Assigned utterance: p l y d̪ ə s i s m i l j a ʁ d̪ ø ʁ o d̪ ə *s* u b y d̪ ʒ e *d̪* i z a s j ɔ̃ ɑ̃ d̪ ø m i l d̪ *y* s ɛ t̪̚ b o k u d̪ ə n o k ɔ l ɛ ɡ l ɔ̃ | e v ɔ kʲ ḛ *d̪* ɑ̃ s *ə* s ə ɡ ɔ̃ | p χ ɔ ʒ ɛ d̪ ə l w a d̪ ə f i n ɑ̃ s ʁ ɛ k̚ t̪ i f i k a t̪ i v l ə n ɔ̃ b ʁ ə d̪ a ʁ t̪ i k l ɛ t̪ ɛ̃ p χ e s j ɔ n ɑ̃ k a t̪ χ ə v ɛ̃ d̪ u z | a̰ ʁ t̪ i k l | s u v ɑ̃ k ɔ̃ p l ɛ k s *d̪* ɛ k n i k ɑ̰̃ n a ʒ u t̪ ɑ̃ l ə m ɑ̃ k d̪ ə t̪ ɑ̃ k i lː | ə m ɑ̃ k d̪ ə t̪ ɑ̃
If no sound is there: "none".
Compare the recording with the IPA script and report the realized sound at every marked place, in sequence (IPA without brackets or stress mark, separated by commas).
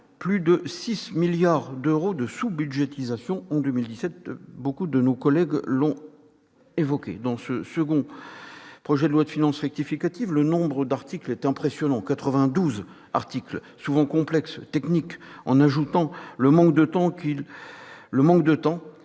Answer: s, t̪, i, d̪, ə, t̪